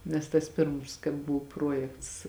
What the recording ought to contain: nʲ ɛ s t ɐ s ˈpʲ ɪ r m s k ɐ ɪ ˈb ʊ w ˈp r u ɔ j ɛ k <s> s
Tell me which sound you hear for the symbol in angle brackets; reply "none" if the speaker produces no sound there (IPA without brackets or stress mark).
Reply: t